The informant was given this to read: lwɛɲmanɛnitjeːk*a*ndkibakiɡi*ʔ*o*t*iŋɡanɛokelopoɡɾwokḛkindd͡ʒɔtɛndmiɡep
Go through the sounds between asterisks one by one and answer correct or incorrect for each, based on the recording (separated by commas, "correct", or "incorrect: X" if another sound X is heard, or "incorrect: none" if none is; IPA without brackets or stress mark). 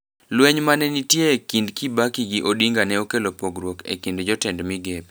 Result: incorrect: i, correct, incorrect: d